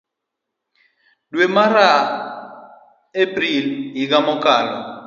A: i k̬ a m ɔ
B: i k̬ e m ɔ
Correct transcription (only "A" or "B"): A